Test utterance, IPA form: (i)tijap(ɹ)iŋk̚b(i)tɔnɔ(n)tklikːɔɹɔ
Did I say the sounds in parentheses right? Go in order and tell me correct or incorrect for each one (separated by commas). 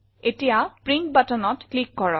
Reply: incorrect, correct, incorrect, incorrect